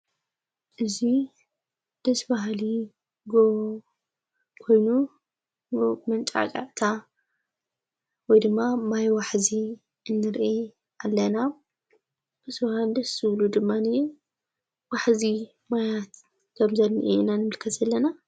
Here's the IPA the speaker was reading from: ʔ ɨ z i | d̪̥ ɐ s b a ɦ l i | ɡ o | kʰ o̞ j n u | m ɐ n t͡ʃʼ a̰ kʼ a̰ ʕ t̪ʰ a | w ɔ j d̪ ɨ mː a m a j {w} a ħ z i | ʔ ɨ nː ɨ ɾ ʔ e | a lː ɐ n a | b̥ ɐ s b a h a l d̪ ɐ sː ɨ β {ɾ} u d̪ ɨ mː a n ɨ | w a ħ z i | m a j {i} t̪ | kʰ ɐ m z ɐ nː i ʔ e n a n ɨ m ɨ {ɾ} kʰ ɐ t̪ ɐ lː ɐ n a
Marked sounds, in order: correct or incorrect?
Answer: correct, incorrect, incorrect, incorrect

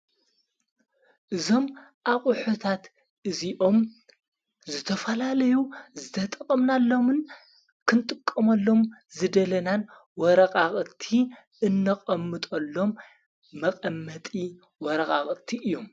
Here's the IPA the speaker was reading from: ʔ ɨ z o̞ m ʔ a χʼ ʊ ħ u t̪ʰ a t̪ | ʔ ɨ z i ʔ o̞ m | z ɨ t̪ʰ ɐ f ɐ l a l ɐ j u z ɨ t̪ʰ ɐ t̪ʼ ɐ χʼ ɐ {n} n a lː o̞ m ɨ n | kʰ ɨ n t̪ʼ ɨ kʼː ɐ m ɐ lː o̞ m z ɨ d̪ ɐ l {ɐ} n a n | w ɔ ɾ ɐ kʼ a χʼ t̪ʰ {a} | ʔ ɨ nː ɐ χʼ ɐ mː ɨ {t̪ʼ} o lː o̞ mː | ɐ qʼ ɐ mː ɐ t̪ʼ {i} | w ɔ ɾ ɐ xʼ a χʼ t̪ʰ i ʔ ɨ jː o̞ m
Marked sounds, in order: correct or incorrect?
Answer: incorrect, correct, incorrect, correct, correct

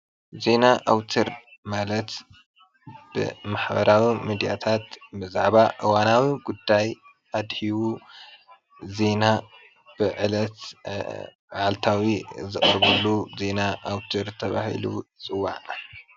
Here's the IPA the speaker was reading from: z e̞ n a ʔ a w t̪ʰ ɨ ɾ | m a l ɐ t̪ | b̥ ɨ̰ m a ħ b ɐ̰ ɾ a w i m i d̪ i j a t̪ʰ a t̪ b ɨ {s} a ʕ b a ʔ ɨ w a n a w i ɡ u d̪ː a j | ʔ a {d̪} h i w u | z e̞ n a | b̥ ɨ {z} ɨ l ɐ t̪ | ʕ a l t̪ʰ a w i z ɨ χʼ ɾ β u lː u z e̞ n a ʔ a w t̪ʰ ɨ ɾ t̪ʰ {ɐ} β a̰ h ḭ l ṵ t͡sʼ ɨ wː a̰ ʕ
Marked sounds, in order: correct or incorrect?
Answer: incorrect, correct, incorrect, correct

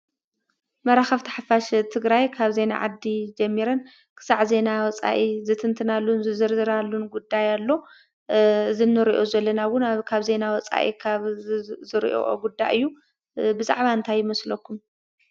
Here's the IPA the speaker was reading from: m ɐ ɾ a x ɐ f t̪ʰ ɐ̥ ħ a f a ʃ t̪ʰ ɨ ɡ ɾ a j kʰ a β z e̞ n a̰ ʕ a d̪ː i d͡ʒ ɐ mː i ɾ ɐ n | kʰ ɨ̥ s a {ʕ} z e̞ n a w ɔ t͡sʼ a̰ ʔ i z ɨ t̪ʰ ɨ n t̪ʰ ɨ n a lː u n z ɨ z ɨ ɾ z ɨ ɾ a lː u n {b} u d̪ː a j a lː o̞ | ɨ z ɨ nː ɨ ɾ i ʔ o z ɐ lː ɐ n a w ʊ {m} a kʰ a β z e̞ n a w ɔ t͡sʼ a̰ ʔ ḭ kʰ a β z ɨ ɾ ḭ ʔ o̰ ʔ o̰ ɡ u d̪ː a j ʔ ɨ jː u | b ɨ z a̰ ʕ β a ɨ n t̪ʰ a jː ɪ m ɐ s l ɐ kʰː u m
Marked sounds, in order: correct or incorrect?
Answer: correct, incorrect, incorrect

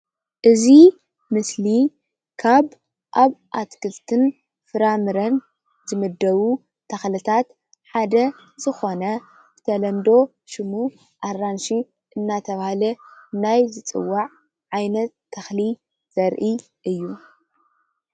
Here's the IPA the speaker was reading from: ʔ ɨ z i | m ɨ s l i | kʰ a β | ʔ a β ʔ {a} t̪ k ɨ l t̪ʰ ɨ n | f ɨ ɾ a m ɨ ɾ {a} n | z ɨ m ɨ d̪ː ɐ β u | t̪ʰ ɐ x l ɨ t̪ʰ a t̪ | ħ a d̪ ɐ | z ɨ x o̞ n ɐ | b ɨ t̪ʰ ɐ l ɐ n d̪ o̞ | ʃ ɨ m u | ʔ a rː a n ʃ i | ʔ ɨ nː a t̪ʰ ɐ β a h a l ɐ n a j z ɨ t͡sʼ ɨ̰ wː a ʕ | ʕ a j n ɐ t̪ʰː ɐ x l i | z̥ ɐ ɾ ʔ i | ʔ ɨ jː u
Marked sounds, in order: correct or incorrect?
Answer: correct, incorrect

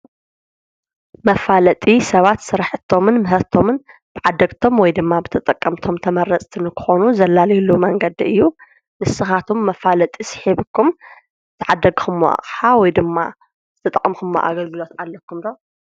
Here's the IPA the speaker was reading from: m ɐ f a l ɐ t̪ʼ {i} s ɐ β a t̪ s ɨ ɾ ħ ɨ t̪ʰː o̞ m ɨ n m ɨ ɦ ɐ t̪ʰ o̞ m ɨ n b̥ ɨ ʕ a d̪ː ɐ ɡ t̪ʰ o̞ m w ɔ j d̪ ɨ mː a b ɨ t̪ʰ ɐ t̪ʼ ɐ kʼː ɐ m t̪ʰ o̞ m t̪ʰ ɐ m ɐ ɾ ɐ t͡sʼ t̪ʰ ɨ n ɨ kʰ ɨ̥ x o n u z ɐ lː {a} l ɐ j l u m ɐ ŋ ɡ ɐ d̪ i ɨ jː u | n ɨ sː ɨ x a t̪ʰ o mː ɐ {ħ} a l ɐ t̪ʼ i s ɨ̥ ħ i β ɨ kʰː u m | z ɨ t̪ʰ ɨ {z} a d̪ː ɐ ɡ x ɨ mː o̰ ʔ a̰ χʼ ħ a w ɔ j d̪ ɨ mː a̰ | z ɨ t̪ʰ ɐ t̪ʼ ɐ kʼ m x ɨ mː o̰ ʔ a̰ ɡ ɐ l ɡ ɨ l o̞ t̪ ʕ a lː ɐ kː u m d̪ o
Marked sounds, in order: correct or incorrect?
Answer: correct, correct, incorrect, incorrect

